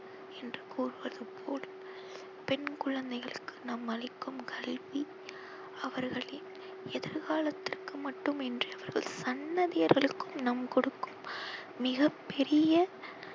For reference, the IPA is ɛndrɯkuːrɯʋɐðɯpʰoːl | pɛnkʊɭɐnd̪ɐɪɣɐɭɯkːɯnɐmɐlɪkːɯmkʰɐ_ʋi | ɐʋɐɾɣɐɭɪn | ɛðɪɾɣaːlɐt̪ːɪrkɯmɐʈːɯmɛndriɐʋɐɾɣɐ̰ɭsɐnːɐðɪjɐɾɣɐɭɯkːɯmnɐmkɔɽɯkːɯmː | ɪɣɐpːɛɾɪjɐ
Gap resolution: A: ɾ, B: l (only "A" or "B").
B